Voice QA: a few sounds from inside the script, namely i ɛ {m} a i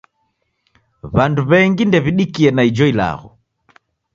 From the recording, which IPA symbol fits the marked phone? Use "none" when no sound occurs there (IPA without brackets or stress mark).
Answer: n